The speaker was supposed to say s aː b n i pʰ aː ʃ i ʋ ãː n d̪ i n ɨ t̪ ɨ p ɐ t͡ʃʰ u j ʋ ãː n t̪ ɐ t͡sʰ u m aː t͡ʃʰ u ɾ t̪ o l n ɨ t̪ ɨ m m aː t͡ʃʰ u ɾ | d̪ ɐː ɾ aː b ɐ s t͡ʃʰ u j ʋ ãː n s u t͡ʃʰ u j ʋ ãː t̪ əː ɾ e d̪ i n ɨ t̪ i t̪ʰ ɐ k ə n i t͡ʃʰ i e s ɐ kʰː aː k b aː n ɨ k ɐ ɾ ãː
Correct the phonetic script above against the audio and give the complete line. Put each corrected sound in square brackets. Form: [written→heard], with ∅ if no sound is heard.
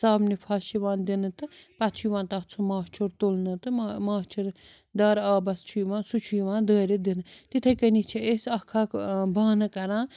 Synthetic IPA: s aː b n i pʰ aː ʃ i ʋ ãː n d̪ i n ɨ t̪ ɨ p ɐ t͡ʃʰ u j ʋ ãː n t̪ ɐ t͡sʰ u m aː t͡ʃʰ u ɾ t̪ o l n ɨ t̪ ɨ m m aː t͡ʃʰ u ɾ | d̪ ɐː ɾ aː b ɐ s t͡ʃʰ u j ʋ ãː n s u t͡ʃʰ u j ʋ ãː [t̪→d̪] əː ɾ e d̪ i n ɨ t̪ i t̪ʰ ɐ k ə n i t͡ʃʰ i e s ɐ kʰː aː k b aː n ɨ k ɐ ɾ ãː

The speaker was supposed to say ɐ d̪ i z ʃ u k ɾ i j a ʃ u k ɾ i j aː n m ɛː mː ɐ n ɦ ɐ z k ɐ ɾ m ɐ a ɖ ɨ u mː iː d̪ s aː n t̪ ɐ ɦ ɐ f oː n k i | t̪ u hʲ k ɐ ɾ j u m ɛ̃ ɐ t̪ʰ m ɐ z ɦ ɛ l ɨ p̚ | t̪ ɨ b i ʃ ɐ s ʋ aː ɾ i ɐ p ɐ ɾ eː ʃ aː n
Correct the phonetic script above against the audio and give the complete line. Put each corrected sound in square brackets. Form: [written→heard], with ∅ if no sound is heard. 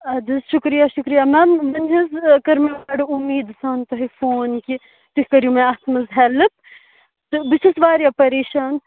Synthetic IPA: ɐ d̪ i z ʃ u k ɾ i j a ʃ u k ɾ i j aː [n→∅] m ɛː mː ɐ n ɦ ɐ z k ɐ ɾ m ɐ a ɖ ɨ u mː iː d̪ s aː n t̪ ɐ ɦ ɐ f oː n k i | t̪ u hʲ k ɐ ɾ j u m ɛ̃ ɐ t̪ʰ m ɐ z ɦ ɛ l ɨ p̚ | t̪ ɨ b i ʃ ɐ s ʋ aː ɾ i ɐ p ɐ ɾ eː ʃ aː n

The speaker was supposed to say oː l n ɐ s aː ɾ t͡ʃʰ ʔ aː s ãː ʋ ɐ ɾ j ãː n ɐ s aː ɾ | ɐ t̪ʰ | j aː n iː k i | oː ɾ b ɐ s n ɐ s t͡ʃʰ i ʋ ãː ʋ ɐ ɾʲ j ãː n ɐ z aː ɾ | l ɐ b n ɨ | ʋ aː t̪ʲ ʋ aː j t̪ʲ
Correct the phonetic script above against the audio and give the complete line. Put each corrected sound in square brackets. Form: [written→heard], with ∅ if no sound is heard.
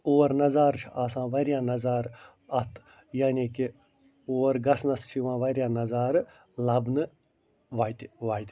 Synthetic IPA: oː [l→ɾ] n ɐ [s→z] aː ɾ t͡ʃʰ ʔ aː s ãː ʋ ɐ ɾ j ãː n ɐ [s→z] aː ɾ | ɐ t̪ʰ | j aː n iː k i | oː ɾ [b→ɡ] ɐ s n ɐ s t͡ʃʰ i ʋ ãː ʋ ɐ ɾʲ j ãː n ɐ z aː ɾ | l ɐ b n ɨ | ʋ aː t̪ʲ ʋ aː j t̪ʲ

